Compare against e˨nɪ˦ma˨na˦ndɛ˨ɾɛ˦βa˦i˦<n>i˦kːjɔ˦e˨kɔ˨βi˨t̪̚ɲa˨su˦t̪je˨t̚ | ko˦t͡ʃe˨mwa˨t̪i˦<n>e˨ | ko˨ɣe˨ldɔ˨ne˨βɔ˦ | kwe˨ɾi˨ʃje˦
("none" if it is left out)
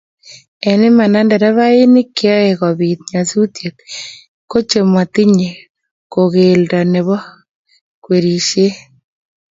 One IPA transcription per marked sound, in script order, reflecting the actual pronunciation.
n, ɲ

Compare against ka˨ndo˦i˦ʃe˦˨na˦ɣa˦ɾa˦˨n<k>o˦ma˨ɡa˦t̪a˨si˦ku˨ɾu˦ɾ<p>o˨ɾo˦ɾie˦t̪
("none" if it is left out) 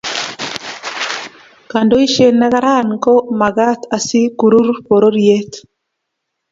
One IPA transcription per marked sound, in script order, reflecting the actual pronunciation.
k, p

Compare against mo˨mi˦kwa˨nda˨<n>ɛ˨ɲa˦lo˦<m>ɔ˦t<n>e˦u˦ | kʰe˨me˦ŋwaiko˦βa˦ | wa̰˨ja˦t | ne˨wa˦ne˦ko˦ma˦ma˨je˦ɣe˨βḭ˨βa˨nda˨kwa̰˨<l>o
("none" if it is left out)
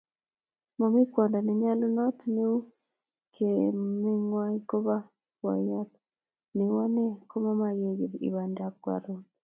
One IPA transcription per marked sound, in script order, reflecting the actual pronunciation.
n, n, n, ɾ

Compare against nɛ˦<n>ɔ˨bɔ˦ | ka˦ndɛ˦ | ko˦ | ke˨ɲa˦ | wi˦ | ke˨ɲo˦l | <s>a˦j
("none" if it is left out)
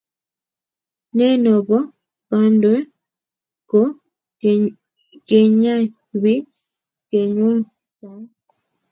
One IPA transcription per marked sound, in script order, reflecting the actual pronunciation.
n, s

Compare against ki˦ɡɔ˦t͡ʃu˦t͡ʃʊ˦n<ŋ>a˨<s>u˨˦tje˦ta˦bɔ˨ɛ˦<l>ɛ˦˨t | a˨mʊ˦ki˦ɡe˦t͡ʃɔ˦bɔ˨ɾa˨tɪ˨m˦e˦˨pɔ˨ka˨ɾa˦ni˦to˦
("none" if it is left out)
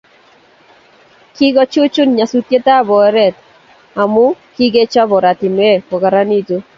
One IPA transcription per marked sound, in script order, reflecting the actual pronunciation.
ɲ, s, ɾ

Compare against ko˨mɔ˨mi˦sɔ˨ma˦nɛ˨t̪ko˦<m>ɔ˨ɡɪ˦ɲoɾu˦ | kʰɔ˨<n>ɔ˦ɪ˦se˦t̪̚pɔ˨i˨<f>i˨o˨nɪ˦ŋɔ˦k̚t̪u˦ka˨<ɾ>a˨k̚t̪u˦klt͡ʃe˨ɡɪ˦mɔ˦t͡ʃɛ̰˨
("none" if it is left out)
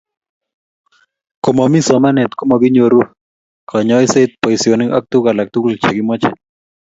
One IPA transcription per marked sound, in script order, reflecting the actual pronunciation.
m, ɲ, s, l

